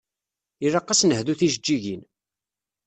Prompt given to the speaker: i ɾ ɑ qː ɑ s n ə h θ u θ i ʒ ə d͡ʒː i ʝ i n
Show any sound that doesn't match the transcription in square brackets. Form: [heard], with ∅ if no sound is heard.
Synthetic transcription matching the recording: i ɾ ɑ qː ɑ s n ə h [ð] u θ i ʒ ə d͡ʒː i ʝ i n